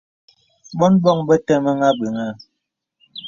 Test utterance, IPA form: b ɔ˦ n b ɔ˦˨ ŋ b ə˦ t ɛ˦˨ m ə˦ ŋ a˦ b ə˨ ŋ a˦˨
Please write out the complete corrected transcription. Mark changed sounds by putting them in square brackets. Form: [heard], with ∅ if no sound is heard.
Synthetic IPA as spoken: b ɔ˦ n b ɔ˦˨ ŋ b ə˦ t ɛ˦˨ m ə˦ ŋ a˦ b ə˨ ŋ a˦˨